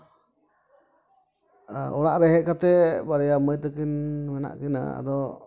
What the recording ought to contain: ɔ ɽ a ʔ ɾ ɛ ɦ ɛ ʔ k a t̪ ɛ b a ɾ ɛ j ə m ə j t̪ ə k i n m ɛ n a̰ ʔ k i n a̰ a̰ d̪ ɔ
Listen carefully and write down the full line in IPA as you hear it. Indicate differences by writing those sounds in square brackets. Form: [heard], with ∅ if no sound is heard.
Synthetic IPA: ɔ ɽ a ʔ ɾ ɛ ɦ ɛ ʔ k a t̪ ɛ b a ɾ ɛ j [a] m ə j t̪ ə k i n m ɛ n a̰ ʔ k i n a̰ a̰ d̪ ɔ